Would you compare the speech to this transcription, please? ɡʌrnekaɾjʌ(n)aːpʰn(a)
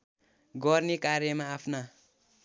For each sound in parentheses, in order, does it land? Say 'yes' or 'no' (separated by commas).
no, yes